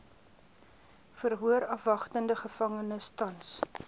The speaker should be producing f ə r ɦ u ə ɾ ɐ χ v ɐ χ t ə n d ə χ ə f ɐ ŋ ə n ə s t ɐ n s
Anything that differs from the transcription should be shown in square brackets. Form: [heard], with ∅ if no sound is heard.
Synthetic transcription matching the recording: f ə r ɦ u ə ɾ ɐ [f] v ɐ χ t ə n d ə χ ə f ɐ ŋ ə n ə s t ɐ n s